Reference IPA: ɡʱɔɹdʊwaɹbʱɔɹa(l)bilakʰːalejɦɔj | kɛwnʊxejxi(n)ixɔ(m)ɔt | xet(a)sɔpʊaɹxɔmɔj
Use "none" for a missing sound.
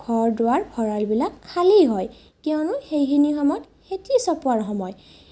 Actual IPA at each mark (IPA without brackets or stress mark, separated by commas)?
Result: l, n, m, i